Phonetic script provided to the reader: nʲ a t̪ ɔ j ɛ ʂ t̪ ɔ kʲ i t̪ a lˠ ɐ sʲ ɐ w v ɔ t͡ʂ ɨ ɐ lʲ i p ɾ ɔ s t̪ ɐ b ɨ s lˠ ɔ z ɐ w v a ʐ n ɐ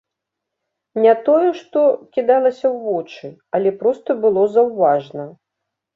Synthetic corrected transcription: nʲ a t̪ ɔ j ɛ ʂ t̪ ɔ kʲ i d̪ a lˠ ɐ sʲ ɐ w v ɔ t͡ʂ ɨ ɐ lʲ ɛ p ɾ ɔ s t̪ ɐ b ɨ lˠ ɔ z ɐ w v a ʐ n ɐ